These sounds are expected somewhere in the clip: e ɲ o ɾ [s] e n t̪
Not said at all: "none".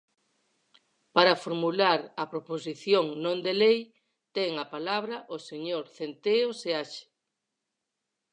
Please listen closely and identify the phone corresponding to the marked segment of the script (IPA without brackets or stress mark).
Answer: θ